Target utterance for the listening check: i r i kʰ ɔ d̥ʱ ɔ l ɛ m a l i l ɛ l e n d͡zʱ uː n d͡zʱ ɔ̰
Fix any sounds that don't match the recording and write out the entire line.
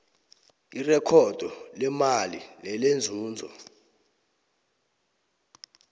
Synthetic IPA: i r ɛ kʰ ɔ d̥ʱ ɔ l ɛ m a l i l ɛ l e n d͡zʱ uː n d͡zʱ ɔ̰